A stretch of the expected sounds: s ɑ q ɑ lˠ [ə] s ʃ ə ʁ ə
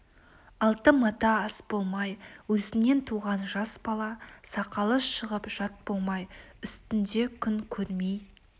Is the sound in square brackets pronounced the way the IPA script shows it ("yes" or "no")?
yes